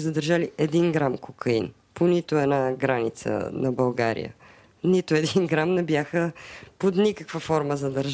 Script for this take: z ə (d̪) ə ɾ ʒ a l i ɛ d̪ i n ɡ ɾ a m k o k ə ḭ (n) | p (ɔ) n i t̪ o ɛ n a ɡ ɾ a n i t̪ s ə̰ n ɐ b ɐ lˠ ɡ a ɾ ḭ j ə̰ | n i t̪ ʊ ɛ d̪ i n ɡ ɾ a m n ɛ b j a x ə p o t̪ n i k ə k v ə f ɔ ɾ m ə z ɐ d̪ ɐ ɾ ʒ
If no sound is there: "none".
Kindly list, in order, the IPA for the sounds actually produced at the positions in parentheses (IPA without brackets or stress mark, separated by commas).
d̪, n, o